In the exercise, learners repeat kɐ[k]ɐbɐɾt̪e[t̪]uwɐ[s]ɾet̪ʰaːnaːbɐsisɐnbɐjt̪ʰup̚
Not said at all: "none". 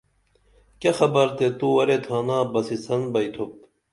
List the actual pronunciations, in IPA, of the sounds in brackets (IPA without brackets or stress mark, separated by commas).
x, t̪, none